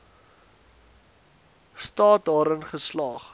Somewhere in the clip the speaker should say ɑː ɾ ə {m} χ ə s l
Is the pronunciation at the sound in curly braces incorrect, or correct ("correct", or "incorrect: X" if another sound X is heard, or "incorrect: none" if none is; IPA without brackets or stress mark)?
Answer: incorrect: n